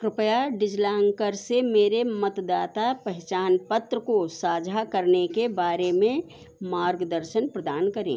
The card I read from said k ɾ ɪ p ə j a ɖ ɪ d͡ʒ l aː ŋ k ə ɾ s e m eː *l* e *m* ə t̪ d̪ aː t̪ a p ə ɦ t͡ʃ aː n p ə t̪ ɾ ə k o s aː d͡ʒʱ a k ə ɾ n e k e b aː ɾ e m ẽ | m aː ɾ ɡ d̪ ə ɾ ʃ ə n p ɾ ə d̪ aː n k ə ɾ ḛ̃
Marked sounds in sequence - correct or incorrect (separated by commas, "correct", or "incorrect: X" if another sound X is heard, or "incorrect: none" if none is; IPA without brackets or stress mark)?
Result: incorrect: ɾ, correct